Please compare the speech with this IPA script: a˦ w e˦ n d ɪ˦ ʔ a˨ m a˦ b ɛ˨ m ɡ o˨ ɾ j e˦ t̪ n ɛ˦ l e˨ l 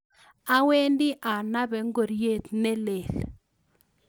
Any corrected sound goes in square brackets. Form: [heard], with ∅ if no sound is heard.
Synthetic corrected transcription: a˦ w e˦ n d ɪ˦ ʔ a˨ [n] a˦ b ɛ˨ [ŋ] ɡ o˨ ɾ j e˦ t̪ n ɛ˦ l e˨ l